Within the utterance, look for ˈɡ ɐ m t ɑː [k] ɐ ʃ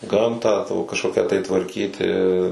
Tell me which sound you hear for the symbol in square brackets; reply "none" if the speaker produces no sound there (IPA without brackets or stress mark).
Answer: k